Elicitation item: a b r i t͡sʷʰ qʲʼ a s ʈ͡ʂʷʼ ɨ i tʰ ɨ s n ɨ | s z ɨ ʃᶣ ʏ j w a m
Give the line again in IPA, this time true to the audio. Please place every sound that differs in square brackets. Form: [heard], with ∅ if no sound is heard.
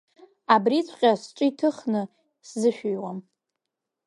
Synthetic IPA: a b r i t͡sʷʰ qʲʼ a s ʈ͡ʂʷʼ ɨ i tʰ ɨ [χ] n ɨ | s z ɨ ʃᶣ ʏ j w a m